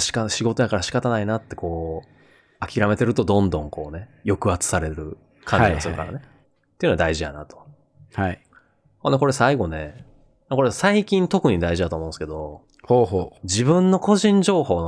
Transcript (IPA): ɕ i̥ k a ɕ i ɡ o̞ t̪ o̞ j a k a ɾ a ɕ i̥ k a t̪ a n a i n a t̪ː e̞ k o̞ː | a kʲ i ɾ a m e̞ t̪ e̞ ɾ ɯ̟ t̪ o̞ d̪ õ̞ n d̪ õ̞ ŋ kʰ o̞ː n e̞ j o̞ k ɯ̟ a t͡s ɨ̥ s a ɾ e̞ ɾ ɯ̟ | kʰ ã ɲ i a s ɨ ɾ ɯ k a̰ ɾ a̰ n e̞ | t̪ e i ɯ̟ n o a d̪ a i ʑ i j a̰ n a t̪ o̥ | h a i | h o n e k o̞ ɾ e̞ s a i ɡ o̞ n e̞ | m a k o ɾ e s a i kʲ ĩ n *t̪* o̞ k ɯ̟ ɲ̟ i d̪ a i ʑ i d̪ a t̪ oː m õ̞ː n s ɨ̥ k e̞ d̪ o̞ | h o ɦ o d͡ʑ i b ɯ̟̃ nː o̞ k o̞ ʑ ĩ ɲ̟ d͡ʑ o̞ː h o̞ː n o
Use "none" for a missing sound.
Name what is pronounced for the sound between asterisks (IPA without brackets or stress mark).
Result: t̪